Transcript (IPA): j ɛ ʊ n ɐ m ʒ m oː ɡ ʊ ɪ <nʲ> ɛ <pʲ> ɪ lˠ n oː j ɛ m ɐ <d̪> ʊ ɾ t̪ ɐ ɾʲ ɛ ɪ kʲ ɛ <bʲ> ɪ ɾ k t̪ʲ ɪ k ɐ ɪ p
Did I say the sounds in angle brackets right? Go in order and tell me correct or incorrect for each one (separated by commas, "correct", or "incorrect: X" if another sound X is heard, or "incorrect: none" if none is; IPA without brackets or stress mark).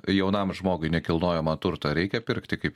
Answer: correct, incorrect: kʲ, incorrect: t̪, incorrect: pʲ